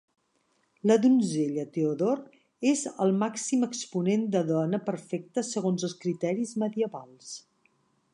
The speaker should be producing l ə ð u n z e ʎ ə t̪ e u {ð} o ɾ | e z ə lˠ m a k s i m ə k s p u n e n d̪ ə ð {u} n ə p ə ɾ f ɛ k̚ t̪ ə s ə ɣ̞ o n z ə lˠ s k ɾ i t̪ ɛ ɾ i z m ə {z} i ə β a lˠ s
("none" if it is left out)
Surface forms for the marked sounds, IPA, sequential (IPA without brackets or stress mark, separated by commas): ð, ɔ, ð